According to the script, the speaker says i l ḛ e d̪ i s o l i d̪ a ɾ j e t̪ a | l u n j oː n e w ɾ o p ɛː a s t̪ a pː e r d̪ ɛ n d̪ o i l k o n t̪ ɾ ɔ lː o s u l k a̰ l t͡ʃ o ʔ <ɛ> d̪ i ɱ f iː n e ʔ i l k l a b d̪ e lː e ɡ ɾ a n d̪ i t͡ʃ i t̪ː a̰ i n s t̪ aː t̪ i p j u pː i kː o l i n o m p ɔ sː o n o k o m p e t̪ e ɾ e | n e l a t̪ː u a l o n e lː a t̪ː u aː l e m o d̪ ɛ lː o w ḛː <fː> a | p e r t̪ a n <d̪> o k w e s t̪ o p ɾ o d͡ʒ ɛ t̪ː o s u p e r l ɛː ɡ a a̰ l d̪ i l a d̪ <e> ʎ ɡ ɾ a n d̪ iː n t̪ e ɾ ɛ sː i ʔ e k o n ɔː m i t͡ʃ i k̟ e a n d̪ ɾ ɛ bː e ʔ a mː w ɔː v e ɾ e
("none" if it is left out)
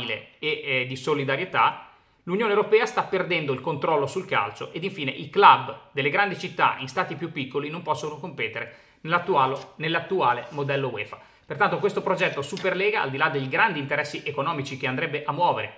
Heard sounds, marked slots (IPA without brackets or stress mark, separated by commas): e, f, t̪, e